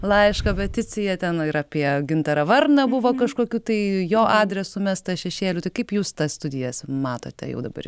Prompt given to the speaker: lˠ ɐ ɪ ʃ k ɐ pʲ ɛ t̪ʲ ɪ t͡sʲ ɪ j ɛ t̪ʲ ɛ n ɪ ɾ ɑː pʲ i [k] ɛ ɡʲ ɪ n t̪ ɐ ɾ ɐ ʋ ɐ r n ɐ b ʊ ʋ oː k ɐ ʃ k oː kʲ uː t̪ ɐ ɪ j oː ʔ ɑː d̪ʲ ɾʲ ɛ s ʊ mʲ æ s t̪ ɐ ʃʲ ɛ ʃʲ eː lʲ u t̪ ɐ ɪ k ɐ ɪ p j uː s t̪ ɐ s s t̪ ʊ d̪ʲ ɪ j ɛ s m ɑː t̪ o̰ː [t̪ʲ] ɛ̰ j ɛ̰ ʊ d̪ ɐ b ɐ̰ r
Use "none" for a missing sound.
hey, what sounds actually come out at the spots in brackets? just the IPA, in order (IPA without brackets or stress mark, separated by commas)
none, t̪ʲ